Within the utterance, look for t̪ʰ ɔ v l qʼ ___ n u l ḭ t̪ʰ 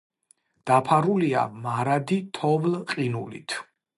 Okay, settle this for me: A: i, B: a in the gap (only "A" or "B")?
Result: A